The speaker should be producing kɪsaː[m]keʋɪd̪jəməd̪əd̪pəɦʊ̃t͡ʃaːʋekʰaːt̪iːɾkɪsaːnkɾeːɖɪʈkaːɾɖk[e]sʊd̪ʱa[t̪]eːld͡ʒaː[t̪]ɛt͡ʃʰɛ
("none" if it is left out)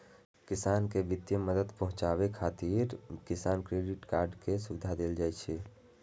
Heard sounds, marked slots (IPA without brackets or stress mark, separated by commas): n, e, d̪, none